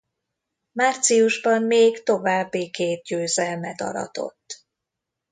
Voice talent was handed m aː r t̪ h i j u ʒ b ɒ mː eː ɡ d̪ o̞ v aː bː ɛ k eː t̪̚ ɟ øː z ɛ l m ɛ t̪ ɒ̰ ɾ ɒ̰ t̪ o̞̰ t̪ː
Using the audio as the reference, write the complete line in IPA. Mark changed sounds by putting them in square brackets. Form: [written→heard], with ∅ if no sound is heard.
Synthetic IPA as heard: m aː r t̪ [h→s] i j u ʒ b ɒ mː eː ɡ [d̪→t̪] o̞ v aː bː [ɛ→i] k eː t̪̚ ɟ øː z ɛ l m ɛ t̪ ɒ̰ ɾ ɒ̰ t̪ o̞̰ t̪ː